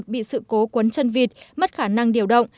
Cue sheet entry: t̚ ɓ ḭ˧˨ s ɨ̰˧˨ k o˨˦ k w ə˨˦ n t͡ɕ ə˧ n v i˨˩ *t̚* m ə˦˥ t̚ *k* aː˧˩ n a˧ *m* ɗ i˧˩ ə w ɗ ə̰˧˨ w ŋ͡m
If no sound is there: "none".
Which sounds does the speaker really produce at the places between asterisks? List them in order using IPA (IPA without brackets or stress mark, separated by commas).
t̚, x, ŋ